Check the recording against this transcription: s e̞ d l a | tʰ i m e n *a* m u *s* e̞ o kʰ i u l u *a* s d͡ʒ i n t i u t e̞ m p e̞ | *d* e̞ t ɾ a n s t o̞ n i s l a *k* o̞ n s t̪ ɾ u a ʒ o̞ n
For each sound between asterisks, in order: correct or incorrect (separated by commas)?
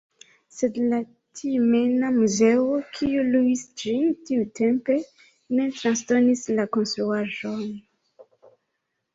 correct, incorrect, incorrect, incorrect, correct